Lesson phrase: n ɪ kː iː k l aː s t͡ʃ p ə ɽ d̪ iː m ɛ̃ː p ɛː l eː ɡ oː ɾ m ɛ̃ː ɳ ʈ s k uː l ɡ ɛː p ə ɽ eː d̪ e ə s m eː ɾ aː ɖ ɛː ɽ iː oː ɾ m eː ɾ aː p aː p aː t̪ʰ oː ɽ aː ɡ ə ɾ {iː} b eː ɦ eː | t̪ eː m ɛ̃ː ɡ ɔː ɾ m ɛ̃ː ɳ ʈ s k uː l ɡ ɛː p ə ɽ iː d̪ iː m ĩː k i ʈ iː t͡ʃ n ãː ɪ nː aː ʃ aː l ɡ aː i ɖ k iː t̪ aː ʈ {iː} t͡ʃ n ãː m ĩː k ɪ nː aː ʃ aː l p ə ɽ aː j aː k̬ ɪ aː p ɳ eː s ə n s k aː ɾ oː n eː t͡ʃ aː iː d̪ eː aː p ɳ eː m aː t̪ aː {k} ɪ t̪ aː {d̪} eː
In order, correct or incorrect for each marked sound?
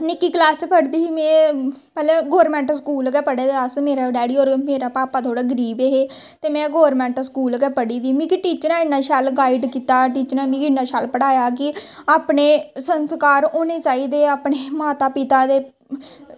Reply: correct, correct, incorrect: p, correct

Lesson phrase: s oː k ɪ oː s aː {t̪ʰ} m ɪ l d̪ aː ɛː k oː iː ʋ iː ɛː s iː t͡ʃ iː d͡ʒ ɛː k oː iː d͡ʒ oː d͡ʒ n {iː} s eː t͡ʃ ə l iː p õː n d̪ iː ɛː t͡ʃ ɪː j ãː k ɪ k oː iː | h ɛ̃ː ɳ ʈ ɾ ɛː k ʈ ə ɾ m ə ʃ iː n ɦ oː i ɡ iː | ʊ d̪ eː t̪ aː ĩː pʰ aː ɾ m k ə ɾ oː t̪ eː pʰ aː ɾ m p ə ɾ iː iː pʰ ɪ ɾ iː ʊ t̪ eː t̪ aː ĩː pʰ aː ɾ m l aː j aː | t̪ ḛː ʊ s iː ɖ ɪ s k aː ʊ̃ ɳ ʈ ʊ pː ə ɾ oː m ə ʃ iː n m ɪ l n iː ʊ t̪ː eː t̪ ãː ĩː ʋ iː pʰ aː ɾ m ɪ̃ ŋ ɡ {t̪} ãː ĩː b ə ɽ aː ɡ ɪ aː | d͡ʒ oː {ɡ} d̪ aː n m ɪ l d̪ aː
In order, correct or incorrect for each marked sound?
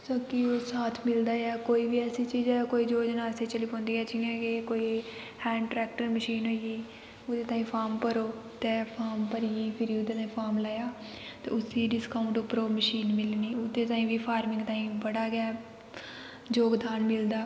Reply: correct, incorrect: aː, correct, correct

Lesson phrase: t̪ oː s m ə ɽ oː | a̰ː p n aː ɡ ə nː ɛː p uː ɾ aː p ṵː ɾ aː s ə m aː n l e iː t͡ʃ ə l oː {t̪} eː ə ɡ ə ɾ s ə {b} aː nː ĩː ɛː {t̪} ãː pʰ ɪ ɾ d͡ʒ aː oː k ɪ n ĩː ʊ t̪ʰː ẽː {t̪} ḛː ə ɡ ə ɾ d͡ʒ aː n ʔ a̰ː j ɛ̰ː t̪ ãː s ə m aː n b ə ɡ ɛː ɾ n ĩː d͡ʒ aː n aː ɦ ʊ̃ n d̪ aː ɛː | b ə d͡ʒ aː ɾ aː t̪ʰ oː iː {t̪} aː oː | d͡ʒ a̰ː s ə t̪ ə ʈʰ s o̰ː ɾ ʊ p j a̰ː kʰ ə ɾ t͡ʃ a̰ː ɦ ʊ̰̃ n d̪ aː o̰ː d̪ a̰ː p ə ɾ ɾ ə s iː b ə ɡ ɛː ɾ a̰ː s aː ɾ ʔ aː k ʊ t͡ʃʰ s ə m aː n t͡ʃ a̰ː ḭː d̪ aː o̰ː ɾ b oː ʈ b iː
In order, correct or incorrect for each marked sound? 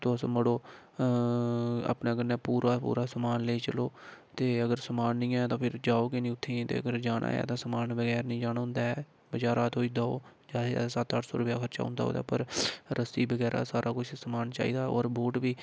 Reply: correct, incorrect: m, correct, correct, incorrect: d̪

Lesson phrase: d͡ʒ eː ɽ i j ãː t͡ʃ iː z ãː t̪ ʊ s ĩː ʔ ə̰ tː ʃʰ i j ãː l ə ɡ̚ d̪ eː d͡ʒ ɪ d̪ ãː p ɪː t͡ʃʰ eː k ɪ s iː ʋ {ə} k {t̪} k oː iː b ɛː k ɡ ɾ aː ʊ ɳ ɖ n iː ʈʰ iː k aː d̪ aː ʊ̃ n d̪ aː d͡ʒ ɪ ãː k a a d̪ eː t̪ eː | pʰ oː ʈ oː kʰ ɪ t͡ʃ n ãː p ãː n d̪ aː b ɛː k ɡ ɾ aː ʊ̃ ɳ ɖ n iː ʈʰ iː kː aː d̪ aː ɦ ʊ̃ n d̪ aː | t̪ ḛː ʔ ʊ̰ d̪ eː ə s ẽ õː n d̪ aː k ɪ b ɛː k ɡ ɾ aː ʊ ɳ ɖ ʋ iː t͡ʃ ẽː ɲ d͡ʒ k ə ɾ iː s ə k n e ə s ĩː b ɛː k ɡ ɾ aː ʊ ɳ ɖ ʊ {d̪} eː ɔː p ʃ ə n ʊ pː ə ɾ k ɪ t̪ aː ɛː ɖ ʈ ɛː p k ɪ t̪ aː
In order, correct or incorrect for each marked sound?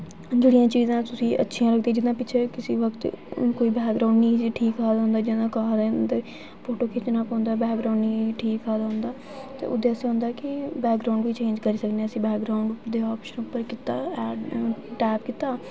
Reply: correct, correct, correct

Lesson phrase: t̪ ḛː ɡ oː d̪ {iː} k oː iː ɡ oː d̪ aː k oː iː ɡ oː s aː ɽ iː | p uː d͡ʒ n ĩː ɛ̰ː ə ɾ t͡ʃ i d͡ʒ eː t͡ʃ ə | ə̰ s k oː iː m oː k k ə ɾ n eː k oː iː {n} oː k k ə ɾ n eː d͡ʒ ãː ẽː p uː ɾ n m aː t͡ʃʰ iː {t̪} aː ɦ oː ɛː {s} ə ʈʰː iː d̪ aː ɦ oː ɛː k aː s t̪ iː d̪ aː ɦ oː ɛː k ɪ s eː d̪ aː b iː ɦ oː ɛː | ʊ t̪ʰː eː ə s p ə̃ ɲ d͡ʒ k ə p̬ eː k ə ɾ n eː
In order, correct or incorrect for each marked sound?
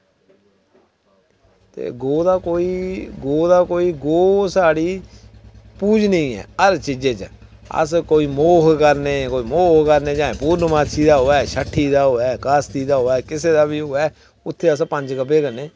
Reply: incorrect: aː, incorrect: m, incorrect: d̪, incorrect: ʃ

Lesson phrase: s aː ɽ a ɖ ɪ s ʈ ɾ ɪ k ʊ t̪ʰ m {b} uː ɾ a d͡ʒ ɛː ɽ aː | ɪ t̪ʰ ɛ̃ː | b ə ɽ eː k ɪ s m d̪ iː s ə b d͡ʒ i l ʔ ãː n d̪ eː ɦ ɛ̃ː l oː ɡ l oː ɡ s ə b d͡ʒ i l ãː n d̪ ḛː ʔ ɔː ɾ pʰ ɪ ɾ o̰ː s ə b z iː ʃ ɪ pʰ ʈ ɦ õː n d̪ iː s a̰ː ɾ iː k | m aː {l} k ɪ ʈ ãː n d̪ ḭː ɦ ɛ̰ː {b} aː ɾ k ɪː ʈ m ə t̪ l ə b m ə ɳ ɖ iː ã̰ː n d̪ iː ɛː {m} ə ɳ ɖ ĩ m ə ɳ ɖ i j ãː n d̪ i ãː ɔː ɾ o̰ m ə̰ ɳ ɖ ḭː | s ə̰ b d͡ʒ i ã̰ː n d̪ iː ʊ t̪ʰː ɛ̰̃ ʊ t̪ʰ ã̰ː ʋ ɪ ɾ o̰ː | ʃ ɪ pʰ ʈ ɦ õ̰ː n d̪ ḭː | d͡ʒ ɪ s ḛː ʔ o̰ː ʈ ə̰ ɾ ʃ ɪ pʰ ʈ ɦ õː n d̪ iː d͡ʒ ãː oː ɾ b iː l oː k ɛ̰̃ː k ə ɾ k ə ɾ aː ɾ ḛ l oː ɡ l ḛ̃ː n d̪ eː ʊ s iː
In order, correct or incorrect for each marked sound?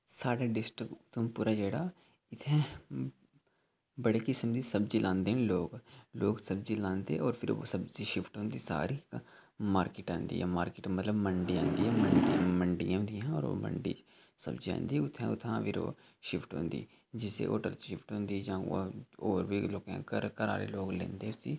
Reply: incorrect: p, incorrect: ɾ, incorrect: m, correct

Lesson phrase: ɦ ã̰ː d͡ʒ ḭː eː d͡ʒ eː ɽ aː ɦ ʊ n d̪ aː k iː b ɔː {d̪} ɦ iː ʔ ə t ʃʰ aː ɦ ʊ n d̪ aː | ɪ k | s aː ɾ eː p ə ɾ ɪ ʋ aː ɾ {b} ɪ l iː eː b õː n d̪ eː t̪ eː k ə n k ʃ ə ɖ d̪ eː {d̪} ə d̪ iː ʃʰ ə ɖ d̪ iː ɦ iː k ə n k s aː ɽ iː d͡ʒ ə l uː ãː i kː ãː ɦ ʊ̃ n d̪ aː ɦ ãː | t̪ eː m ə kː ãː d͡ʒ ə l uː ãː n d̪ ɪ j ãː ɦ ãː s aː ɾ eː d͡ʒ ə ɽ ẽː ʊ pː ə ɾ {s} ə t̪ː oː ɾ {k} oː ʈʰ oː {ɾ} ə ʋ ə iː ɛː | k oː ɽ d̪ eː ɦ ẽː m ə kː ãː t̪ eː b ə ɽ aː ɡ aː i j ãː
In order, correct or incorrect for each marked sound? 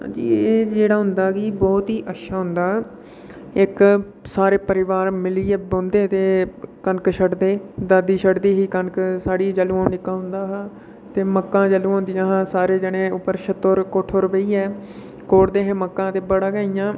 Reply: incorrect: t̪, incorrect: m, correct, incorrect: ʃ, correct, correct

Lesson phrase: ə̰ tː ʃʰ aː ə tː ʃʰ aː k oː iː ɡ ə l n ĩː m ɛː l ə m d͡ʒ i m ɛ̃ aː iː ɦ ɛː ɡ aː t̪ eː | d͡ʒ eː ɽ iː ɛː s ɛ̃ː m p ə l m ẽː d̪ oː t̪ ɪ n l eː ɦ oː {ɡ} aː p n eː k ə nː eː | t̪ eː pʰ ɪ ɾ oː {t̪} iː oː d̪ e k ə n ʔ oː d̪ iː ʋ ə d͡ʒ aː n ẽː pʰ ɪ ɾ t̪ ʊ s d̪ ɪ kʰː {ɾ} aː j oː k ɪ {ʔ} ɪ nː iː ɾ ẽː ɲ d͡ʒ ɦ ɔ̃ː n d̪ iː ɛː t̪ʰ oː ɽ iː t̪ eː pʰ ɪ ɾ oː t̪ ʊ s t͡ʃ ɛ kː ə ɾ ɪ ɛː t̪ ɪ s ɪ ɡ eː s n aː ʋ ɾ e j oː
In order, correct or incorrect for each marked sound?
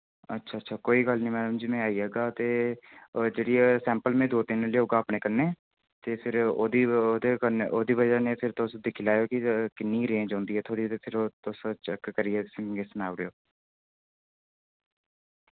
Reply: correct, incorrect: d̪, incorrect: l, incorrect: k

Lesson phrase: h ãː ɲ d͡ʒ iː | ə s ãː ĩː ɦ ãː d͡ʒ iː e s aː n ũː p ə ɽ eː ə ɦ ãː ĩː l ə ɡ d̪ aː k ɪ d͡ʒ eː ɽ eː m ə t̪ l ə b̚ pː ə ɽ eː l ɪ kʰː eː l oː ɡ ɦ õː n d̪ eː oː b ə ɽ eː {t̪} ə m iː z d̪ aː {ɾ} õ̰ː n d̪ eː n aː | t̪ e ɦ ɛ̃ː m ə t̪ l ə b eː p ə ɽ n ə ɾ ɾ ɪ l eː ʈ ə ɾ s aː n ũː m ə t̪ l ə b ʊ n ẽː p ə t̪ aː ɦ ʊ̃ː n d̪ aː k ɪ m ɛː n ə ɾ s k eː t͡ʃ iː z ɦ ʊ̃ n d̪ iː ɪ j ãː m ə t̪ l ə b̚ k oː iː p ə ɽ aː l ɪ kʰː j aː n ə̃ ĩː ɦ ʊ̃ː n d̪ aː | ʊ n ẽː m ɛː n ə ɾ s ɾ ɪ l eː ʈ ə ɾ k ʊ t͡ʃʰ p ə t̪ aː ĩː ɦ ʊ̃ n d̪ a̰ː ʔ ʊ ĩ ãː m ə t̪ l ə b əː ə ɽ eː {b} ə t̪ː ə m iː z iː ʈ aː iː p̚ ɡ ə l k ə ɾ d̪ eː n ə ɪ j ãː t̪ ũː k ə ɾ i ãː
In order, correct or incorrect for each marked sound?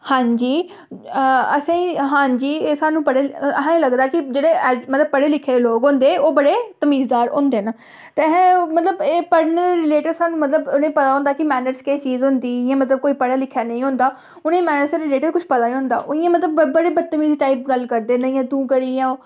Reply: correct, correct, correct

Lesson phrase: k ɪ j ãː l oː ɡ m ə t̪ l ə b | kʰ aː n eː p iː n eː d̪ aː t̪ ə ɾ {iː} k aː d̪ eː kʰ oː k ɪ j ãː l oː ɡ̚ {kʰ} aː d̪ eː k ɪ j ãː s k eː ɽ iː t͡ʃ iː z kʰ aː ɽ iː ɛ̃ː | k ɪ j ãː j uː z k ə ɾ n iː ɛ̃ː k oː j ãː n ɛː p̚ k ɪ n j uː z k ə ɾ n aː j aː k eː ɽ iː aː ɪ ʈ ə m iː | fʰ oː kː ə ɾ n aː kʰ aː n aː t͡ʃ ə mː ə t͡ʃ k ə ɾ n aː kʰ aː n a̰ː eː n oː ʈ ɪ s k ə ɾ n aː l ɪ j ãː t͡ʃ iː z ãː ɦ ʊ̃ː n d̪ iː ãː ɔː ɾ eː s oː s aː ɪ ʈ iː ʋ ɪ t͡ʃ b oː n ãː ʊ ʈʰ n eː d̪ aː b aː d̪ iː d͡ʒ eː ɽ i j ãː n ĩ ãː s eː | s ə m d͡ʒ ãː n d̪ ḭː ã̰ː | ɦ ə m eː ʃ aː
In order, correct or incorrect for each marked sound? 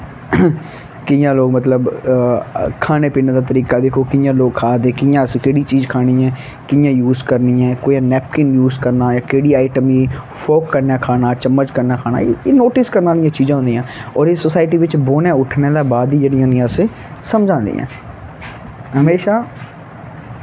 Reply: correct, correct

